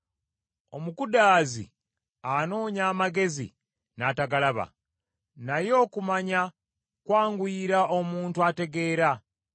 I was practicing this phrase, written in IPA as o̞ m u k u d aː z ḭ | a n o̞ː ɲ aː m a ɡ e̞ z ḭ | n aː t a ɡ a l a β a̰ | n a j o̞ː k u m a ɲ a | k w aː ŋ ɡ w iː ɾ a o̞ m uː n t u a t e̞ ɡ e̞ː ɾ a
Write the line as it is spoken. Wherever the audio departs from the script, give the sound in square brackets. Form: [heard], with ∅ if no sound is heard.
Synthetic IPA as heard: o̞ m u k u d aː z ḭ | a n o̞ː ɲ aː m a ɡ e̞ z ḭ | n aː t a ɡ a l a β a̰ | n a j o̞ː k u m a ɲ a | k w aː ŋ ɡ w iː ɾ a o̞ m uː n t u a t e̞ ɡ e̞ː ɾ a

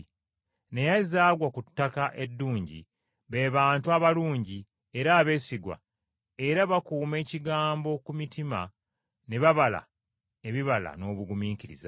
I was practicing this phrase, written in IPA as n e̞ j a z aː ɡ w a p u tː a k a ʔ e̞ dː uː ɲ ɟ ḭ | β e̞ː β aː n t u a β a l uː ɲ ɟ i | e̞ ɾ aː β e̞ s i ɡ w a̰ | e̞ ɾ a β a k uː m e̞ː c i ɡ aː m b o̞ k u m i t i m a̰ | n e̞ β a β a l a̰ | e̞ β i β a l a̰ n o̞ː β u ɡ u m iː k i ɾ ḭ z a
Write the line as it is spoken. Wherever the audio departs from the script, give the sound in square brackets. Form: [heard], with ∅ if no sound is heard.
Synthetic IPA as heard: n e̞ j a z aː ɡ w a [k] u tː a k a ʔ e̞ dː uː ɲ ɟ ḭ | β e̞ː β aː n t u a β a l uː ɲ ɟ i | e̞ ɾ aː β e̞ s i ɡ w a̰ | e̞ ɾ a β a k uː m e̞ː c i ɡ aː m b o̞ k u m i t i m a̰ | n e̞ β a β a l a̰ | e̞ β i β a l a̰ n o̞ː β u ɡ u m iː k i ɾ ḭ z a

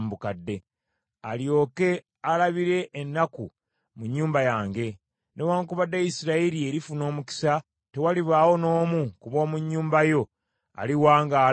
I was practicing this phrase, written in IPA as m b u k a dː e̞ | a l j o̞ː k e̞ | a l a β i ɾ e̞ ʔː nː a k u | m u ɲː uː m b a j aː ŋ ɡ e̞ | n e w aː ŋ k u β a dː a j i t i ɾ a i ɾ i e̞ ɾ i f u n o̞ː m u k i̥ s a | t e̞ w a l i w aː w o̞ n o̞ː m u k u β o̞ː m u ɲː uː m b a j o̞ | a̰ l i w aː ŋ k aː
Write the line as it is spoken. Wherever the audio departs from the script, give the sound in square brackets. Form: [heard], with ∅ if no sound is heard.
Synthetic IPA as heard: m b u k a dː e̞ | a l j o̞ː k e̞ | a l a β i ɾ e̞ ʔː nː a k u | m u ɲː uː m b a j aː ŋ ɡ e̞ | n e w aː ŋ k u β a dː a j i [s] i ɾ a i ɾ i e̞ ɾ i f u n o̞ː m u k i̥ s a | t e̞ w a l i [β] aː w o̞ n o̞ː m u k u β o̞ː m u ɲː uː m b a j o̞ | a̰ l i w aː ŋ [ɡ] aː

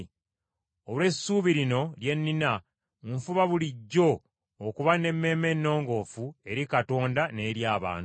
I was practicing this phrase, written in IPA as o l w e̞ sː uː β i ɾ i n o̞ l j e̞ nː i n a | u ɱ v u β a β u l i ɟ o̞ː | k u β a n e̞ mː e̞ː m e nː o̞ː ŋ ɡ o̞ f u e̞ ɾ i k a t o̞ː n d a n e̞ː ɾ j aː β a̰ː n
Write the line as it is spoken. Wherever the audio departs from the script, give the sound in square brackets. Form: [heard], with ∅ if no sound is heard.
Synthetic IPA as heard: o l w e̞ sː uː β i ɾ i n o̞ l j e̞ nː i n a | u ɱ [f] u β a β u l i [ɟː] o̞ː | k u β a n e̞ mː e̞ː m e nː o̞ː ŋ ɡ o̞ f u e̞ ɾ i k a t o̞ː n d a n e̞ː ɾ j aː β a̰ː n

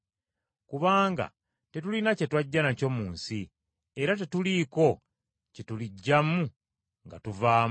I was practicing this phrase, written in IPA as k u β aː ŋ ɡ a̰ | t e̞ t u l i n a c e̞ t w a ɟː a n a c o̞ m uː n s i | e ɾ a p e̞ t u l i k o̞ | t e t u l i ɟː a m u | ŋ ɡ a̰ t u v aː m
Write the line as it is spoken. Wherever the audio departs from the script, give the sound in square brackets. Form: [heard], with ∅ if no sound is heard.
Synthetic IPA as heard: k u β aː ŋ ɡ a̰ | t e̞ t u l i n a c e̞ t w a ɟː a n a c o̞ m uː n s i | e ɾ a [t] e̞ t u l i k o̞ | [c] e t u l i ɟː a m u | ŋ ɡ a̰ t u v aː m

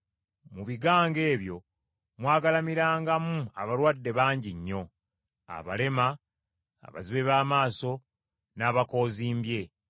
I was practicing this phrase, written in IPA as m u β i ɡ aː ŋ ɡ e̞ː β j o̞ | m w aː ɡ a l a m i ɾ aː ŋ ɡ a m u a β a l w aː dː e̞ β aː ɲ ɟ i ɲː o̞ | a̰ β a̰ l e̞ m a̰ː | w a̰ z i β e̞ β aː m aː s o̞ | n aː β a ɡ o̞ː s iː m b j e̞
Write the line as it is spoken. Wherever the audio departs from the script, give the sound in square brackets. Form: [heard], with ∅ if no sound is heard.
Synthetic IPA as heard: m u β i ɡ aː ŋ ɡ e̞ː β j o̞ | m w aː ɡ a l a m i ɾ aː ŋ ɡ a m u a β a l w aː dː e̞ β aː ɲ ɟ i ɲː o̞ | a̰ β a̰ l e̞ m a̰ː | [β] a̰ z i β e̞ β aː m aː s o̞ | n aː β a [k] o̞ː [z] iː m b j e̞

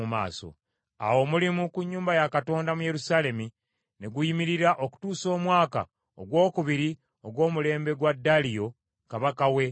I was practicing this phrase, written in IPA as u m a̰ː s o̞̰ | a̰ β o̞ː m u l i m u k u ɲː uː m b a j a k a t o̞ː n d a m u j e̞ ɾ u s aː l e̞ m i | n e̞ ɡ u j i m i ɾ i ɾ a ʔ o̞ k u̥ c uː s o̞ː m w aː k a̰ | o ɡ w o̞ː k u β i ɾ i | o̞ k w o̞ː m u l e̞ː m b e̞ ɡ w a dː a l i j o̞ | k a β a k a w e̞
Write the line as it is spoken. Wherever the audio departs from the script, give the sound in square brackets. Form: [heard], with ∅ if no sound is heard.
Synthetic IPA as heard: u m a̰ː s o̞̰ | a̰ [w] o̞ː m u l i m u k u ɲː uː m b a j a k a t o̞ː n d a m u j e̞ ɾ u s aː l e̞ m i | n e̞ ɡ u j i m i ɾ i ɾ a ʔ o̞ k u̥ [t] uː s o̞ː m w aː k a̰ | o ɡ w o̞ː k u β i ɾ i | o̞ [ɡ] w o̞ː m u l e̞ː m b e̞ ɡ w a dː a l i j o̞ | k a β a k a w e̞

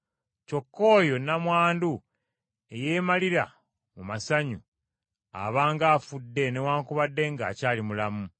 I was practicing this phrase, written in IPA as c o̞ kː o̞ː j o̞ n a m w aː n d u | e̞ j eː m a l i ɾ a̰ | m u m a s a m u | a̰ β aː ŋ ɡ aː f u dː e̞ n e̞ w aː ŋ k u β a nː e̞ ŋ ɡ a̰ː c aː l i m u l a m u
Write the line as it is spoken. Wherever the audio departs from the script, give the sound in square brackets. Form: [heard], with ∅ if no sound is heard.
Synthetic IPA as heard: c o̞ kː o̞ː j o̞ n a m w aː n d u | e̞ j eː m a l i ɾ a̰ | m u m a s a [ɲ] u | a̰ β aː ŋ ɡ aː f u dː e̞ n e̞ w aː ŋ k u β a [dː] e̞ ŋ ɡ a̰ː c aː l i m u l a m u

